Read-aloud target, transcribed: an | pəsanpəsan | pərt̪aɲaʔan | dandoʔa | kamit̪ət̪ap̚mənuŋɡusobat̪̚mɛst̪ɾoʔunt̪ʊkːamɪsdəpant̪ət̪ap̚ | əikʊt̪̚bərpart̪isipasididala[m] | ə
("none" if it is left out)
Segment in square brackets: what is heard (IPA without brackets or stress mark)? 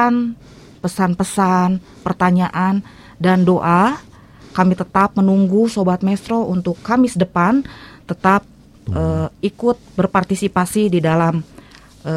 m